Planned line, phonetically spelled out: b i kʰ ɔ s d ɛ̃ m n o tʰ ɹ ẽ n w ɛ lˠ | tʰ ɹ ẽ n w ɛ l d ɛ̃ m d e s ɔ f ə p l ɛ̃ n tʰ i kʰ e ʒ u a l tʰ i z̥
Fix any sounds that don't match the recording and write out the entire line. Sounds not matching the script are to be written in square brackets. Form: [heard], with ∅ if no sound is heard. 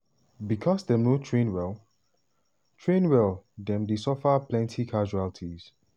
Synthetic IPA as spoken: b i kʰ ɔ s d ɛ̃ m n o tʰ ɹ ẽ n w ɛ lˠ | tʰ ɹ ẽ n w ɛ l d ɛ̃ m d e s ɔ f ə p l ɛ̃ n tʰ i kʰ [a] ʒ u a l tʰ i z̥

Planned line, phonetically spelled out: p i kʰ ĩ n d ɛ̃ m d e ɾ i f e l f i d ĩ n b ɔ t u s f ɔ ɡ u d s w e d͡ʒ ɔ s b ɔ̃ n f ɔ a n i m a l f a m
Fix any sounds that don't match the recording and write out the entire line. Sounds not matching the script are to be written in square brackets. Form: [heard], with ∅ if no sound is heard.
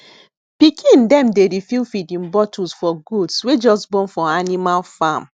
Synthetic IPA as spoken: p i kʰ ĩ n d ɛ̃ m d e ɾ i f [i] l f i d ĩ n b ɔ t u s f ɔ ɡ u d s w e d͡ʒ ɔ s b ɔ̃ n f ɔ a n i m a l f a m

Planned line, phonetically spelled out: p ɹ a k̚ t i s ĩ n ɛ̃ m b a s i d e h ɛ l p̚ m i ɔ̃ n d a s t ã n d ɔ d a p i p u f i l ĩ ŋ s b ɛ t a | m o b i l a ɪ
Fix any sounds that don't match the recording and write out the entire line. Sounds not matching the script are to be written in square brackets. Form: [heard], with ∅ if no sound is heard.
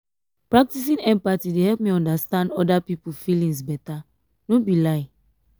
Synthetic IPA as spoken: p ɹ a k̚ t i s ĩ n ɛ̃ m [p] a [t] i d e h ɛ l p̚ m i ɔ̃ n d a s t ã n d ɔ d a p i p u f i l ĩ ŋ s b ɛ t a | [n] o b i l a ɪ

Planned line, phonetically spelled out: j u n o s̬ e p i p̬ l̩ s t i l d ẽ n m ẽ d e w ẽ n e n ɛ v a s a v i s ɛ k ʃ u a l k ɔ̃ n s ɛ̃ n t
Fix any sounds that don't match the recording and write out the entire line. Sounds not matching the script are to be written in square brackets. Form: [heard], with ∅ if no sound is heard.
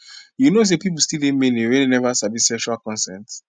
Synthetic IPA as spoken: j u n o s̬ e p i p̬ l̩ s t i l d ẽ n m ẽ [n] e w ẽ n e n ɛ v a s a v i s ɛ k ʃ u a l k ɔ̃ n s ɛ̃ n t

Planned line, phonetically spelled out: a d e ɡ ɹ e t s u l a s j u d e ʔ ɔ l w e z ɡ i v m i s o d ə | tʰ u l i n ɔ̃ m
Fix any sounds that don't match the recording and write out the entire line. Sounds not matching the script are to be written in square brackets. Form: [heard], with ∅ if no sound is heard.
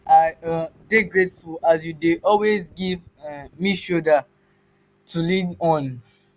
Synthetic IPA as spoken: a d e ɡ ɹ e t [f] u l a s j u d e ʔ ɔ l w e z ɡ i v m i [ʃ] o d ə | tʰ u l i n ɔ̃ [n]

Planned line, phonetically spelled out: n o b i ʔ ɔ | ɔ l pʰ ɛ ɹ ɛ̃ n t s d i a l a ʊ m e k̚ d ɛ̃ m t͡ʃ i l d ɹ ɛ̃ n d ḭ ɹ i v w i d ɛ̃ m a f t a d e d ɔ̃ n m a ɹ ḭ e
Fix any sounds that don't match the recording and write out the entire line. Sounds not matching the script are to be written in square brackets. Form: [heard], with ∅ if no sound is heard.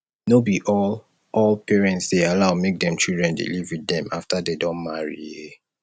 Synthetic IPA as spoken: n o b i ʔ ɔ | ɔ l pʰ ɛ ɹ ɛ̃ n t s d [e] a l a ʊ m e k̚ d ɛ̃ m t͡ʃ i l d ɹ ɛ̃ n d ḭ [l] i v w i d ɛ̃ m a f t a d e d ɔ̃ n m a ɹ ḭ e

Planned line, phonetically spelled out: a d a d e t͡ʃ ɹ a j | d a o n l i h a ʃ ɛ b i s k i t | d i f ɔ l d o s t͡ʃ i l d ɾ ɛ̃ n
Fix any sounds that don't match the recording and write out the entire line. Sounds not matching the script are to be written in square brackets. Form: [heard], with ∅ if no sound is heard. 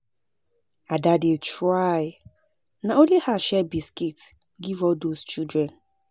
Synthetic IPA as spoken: a d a d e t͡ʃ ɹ a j | [n] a o n l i h a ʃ ɛ b i s k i t | [ɡ] i [v] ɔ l d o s t͡ʃ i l d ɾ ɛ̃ n

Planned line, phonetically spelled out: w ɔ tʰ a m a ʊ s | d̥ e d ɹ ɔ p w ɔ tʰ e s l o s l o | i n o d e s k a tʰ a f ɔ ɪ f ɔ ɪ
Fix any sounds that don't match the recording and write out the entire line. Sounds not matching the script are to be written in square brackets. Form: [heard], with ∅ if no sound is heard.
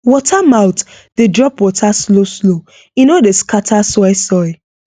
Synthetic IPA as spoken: w ɔ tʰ a m a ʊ [t] | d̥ e d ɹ ɔ p w ɔ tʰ [a] s l o s l o | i n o d e s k a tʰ a [s] ɔ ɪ [s] ɔ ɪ

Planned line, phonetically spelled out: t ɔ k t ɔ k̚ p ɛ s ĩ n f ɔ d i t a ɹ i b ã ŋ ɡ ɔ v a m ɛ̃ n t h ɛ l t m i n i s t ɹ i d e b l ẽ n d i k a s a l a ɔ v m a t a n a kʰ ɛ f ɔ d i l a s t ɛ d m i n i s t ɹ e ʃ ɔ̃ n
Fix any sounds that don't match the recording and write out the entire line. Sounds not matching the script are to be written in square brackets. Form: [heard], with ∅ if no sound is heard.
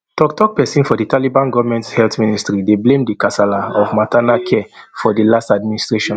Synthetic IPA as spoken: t ɔ k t ɔ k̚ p ɛ s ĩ n f ɔ d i t a [l] i b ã [n] ɡ ɔ v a m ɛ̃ n t h ɛ l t m i n i s t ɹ i d e b l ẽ [m] d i k a s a l a ɔ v m a t a n a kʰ ɛ f ɔ d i l a s t [a] d m i n i s t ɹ e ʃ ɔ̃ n

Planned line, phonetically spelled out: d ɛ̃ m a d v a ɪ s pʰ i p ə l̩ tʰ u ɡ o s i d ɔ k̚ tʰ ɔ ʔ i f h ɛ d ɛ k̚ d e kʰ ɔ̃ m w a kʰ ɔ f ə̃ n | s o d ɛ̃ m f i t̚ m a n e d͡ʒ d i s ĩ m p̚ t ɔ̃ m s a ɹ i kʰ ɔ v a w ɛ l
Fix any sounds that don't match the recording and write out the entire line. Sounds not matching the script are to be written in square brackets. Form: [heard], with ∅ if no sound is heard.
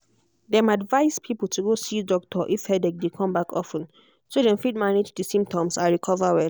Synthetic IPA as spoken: d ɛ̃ m a d v a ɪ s pʰ i p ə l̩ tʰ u ɡ o s i d ɔ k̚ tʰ ɔ ʔ i f h ɛ d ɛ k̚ d e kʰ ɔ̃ m [b] a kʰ ɔ f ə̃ n | s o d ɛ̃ m f i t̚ m a n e d͡ʒ d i s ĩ m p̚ t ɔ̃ m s a ɹ i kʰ ɔ v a w ɛ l

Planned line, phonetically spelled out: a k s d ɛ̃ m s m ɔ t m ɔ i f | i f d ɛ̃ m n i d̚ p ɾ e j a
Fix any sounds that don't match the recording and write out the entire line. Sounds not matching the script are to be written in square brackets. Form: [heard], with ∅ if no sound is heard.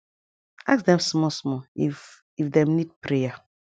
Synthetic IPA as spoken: a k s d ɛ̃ m s m ɔ [s] m ɔ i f | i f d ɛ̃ m n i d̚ p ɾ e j a

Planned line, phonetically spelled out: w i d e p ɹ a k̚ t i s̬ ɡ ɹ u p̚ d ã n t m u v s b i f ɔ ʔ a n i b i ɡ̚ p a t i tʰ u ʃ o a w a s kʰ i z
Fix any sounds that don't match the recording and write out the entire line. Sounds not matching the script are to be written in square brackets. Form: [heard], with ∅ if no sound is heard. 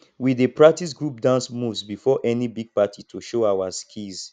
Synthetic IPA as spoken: w i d e p ɹ a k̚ t i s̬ ɡ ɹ u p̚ d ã n [s] m u v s b i f ɔ ʔ [ɛ] n i b i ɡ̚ p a t i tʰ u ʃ o a w a s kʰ i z

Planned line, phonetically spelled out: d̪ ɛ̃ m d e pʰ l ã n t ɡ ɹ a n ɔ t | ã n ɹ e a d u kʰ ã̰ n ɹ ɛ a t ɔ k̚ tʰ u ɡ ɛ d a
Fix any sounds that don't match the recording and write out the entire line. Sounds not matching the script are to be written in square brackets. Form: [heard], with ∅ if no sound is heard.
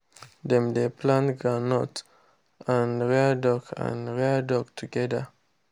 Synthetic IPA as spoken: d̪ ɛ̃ m d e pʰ l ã n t ɡ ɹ a n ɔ t | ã n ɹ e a d [ɔ] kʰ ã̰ n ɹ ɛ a [d] ɔ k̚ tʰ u ɡ ɛ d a

